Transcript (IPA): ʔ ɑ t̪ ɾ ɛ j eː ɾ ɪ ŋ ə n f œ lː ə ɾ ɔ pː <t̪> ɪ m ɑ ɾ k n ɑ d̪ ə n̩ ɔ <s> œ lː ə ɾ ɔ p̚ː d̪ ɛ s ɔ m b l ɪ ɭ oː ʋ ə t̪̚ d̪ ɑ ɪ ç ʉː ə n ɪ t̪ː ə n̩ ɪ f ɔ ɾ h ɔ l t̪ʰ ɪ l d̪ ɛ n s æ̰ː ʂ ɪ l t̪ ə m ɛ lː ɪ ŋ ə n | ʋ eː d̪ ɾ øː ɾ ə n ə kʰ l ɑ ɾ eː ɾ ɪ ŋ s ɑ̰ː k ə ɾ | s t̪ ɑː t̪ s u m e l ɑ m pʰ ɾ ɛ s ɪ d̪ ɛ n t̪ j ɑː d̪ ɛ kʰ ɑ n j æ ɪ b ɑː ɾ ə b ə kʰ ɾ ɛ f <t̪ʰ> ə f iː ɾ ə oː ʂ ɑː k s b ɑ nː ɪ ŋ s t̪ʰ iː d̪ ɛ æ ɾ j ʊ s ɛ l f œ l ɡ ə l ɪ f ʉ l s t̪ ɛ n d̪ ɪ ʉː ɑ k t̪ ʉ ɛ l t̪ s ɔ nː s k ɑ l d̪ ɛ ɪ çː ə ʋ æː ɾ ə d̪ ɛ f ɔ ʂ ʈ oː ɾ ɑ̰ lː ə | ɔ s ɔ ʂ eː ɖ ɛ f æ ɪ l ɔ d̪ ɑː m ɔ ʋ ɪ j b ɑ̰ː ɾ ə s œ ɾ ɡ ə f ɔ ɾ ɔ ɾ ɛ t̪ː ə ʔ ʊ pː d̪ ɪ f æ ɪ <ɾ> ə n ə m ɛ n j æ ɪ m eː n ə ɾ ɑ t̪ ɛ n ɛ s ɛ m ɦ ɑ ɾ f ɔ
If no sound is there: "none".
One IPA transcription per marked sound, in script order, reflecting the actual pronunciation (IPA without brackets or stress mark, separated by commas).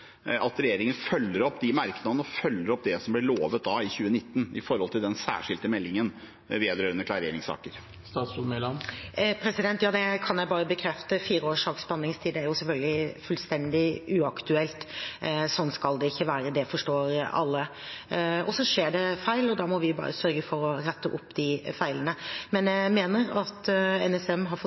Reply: d̪, f, t̪, l